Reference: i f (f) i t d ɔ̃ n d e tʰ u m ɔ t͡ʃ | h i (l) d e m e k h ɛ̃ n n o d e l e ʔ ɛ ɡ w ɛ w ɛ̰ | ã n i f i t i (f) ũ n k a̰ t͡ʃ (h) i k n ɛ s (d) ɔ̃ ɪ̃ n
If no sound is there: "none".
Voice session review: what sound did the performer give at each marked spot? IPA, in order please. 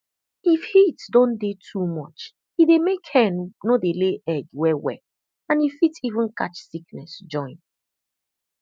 h, none, v, s, d͡ʒ

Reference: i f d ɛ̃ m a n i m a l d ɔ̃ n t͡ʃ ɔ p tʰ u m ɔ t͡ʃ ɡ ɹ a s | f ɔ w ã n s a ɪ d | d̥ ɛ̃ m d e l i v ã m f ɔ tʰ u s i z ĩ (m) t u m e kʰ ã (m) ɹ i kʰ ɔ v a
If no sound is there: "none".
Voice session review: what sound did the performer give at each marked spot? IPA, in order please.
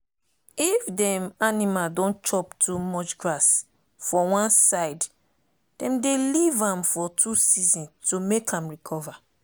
n, m

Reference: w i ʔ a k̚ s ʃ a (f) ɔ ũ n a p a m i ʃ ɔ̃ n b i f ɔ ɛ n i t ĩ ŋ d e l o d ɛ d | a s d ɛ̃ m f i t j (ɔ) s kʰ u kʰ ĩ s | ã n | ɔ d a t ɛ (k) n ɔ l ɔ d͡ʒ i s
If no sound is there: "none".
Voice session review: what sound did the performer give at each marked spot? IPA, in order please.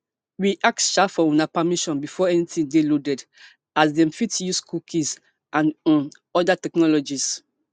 f, u, k

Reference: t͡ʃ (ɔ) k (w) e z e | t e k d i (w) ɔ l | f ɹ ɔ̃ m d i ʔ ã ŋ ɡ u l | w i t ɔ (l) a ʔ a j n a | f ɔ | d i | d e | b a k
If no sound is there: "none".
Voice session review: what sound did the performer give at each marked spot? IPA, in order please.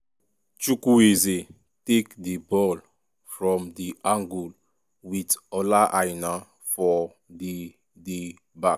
u, u, b, l

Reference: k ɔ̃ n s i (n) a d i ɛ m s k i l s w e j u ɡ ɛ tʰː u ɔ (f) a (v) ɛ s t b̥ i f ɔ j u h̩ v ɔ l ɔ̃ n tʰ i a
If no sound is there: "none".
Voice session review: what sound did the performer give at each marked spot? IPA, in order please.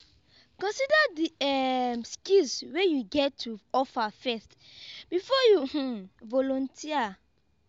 d, f, f

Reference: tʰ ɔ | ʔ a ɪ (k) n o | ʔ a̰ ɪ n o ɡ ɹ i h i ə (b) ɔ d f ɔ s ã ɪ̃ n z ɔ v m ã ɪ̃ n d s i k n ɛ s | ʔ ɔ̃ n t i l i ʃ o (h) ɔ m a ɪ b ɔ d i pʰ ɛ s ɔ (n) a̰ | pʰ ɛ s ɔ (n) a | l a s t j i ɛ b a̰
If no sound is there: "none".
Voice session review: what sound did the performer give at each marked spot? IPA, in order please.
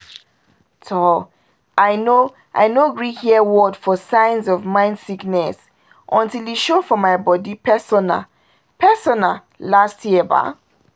none, w, f, n, n

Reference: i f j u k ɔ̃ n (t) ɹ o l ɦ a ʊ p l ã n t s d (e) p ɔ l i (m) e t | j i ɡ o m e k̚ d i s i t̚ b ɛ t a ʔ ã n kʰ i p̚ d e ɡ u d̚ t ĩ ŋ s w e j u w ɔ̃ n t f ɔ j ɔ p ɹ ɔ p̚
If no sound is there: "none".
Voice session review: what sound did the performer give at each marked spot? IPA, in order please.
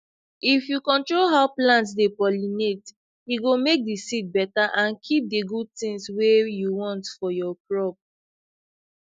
t, e, n

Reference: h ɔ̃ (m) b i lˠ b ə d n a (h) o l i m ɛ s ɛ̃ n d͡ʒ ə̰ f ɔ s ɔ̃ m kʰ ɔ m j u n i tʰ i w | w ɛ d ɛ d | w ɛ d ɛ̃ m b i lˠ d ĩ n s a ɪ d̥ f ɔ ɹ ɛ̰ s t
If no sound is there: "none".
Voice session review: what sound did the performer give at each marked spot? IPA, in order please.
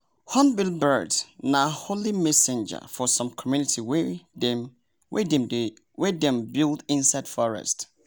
n, h

